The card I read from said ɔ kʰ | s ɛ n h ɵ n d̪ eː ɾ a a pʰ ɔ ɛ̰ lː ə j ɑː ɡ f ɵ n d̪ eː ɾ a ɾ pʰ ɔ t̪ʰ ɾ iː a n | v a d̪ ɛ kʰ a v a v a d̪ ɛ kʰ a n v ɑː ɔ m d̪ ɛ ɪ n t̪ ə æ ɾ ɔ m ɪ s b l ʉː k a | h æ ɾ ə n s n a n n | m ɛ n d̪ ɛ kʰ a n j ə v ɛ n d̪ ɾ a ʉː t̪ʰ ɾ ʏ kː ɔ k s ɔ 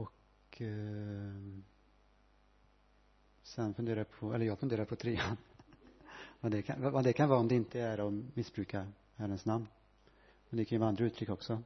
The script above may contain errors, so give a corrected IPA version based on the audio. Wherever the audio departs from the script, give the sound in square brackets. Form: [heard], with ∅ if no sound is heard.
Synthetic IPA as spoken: ɔ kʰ | s ɛ n [f] ɵ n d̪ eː ɾ a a pʰ ɔ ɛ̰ lː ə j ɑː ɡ f ɵ n d̪ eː ɾ a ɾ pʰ ɔ t̪ʰ ɾ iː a n | v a d̪ ɛ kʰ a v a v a d̪ ɛ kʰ a n v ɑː ɔ m d̪ ɛ ɪ n t̪ ə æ ɾ ɔ m ɪ s b [ɾ] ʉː k a | h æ ɾ ə n s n a [m] n | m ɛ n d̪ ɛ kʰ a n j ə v [a] n d̪ ɾ a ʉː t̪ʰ ɾ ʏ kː ɔ k s ɔ